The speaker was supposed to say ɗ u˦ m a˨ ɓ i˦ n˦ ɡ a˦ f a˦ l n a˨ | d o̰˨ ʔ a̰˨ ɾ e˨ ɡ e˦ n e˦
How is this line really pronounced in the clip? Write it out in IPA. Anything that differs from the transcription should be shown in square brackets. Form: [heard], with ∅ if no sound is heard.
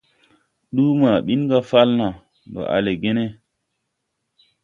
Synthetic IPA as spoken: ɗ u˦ m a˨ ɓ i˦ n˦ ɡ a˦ f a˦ l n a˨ | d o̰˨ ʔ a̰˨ [l] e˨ ɡ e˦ n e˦